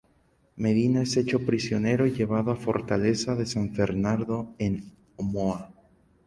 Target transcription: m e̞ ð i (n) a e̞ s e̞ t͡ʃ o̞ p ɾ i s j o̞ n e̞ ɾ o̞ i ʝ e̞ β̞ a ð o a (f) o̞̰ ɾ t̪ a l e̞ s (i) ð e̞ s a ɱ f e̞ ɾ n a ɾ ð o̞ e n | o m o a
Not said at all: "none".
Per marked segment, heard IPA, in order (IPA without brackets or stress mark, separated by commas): n, f, a